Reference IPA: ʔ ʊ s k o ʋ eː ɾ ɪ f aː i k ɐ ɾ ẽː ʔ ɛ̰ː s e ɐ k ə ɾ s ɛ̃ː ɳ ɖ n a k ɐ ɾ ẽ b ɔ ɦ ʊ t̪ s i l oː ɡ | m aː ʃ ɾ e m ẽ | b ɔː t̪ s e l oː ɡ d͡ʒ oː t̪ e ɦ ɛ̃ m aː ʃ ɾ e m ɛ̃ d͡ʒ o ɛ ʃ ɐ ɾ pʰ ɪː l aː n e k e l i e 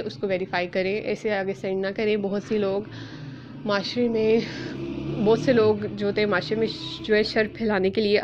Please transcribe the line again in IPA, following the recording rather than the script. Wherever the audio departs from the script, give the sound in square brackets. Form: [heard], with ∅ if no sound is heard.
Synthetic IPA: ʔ ʊ s k o ʋ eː ɾ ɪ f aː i k ɐ ɾ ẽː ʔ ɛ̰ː s e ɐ [ɡ] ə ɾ s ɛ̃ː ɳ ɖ n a k ɐ ɾ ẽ b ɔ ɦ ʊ t̪ s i l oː ɡ | m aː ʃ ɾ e m ẽ | b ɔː t̪ s e l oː ɡ d͡ʒ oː t̪ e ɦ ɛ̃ m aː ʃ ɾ e m [ẽ] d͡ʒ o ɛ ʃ ɐ ɾ pʰ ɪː l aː n e k e l i e